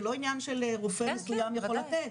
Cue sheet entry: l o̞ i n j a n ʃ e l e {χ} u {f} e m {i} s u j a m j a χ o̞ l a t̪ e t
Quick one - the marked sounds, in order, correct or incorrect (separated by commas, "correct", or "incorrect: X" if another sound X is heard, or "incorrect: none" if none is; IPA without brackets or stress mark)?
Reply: incorrect: ʁ, correct, incorrect: e